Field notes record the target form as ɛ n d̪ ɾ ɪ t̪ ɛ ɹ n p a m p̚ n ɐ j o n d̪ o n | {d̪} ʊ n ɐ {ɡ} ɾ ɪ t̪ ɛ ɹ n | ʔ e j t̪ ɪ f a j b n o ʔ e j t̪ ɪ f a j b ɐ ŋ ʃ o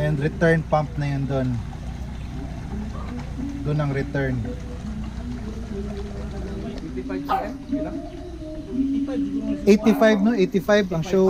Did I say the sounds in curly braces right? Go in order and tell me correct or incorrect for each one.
correct, incorrect: ŋ

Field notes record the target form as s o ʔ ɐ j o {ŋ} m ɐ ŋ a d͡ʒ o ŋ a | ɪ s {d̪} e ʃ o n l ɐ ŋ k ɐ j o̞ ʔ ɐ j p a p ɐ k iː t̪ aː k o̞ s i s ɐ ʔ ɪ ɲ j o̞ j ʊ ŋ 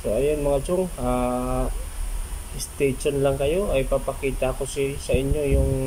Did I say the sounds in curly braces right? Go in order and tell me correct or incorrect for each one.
incorrect: n, incorrect: t̪

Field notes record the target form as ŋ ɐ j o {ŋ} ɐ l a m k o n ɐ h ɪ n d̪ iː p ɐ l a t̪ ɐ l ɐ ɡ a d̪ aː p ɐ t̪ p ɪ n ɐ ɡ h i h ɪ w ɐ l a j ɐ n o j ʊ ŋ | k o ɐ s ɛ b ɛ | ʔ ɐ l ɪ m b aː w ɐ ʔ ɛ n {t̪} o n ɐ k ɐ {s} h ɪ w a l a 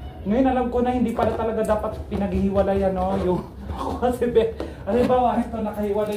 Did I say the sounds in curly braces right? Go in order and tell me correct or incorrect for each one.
incorrect: n, correct, incorrect: none

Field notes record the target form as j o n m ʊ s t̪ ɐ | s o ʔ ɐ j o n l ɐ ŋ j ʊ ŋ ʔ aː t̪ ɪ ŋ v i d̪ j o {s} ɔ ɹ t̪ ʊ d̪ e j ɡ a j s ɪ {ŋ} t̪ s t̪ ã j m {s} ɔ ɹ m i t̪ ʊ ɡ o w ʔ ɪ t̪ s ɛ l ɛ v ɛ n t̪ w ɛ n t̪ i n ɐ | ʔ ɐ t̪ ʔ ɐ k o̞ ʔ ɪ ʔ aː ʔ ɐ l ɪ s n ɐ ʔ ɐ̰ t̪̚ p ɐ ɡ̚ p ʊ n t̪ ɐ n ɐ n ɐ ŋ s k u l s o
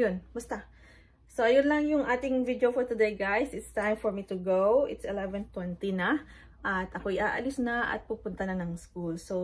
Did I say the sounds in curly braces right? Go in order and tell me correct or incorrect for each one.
incorrect: f, incorrect: none, incorrect: f

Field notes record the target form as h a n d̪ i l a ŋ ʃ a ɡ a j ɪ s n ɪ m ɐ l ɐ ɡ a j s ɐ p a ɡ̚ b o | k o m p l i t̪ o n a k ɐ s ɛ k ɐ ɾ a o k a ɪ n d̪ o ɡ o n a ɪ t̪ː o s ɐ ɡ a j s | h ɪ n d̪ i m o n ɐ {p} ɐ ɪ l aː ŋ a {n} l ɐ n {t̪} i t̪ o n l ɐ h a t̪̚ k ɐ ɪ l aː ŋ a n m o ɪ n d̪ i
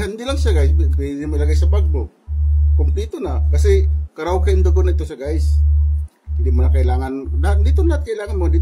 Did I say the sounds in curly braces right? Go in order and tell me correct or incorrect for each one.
incorrect: k, correct, incorrect: d̪

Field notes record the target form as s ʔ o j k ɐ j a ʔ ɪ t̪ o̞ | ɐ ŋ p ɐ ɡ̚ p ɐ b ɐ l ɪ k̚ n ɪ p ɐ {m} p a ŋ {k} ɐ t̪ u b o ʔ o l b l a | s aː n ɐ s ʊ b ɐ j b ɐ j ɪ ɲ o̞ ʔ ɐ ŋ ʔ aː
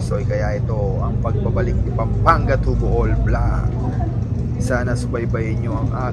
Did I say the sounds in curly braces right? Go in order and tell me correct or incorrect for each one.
correct, incorrect: ɡ

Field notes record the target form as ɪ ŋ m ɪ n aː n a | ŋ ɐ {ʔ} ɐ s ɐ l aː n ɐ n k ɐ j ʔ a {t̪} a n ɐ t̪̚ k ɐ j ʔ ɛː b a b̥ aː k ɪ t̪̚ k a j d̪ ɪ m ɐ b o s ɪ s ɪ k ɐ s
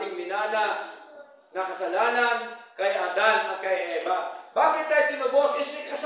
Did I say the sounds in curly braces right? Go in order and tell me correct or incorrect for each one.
incorrect: k, incorrect: d̪

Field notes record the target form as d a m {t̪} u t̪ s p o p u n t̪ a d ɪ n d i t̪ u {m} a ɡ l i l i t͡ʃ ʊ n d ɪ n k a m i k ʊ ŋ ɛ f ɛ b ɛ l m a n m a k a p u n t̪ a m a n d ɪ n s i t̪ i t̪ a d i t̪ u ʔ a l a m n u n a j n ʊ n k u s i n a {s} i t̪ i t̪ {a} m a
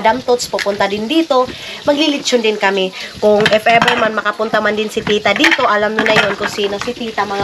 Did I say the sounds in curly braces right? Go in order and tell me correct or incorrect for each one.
correct, correct, correct, correct

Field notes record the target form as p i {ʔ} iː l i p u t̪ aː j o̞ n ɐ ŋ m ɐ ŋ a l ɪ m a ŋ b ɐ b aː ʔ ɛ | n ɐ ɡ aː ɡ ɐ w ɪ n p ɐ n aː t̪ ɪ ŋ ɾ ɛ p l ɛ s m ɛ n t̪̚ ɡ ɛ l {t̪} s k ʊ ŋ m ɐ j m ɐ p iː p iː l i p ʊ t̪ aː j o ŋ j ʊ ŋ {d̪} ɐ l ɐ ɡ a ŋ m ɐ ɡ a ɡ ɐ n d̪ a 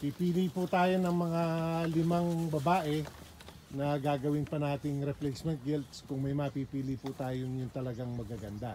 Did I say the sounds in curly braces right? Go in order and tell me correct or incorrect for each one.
incorrect: p, correct, incorrect: t̪

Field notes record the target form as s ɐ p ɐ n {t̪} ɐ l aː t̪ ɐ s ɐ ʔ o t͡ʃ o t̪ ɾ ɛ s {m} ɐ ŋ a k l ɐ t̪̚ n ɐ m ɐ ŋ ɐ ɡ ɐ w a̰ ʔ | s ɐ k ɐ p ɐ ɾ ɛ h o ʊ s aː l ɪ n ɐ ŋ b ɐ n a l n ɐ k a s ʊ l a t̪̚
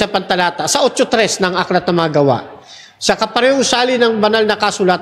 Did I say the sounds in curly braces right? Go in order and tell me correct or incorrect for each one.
correct, incorrect: n

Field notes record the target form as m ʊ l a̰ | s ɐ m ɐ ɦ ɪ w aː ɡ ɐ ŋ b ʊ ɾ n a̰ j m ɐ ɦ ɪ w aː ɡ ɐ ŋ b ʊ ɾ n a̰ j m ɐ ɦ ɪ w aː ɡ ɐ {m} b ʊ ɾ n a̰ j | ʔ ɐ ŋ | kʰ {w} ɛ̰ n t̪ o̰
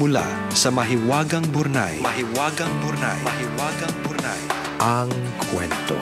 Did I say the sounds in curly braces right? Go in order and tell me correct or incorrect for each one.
incorrect: ŋ, correct

